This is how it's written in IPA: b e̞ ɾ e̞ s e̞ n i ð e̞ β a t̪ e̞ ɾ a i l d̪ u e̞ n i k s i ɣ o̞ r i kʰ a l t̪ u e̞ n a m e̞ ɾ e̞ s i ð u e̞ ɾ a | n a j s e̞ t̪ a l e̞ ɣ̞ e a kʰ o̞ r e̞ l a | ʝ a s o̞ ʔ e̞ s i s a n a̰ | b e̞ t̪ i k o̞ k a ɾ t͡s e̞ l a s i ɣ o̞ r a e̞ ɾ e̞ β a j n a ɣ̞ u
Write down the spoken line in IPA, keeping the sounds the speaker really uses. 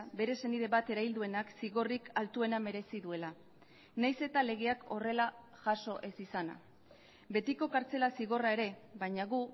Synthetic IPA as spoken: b e̞ ɾ e̞ s e̞ n i ð e̞ β a t̪ e̞ ɾ a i l d̪ u e̞ n a k s i ɣ o̞ r i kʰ a l t̪ u e̞ n a m e̞ ɾ e̞ s i ð u e̞ l a | n a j s e̞ t̪ a l e̞ ɣ̞ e a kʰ o̞ r e̞ l a | ʝ a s o̞ ʔ e̞ s i s a n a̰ | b e̞ t̪ i k o̞ k a ɾ t͡s e̞ l a s i ɣ o̞ r a e̞ ɾ e̞ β a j ɲ a ɣ̞ u